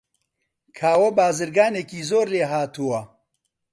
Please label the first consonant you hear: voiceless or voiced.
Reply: voiceless